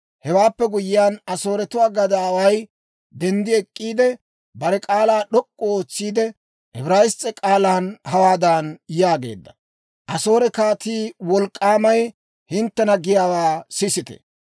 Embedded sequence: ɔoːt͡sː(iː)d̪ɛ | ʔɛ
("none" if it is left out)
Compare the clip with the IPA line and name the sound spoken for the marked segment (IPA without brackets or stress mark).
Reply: iː